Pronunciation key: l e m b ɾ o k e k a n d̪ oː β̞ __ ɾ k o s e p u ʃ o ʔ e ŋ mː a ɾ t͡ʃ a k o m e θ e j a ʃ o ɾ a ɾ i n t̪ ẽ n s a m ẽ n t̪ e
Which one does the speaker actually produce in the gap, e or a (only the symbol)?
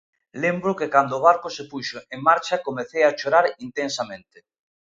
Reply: a